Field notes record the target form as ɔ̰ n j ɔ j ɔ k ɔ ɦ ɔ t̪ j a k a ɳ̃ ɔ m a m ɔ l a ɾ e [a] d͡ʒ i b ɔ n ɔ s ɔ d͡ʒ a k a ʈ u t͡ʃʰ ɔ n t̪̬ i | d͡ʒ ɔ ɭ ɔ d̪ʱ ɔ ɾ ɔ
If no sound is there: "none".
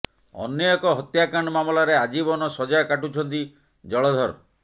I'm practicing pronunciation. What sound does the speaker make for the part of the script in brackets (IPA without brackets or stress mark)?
a